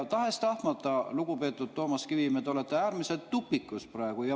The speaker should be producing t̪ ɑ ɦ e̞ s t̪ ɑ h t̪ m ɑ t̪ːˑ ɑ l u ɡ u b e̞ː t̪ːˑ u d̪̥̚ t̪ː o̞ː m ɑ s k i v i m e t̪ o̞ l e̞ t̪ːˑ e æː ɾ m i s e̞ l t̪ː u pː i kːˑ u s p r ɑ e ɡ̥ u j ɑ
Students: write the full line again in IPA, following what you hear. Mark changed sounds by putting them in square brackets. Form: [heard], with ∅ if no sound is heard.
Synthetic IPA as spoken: t̪ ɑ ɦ e̞ s t̪ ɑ h t̪ m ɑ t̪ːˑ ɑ l u ɡ u [p] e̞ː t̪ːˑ u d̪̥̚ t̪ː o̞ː m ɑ s k i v i m e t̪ o̞ l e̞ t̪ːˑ e æː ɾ m i s e̞ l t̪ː u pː i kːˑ u s p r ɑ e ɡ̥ u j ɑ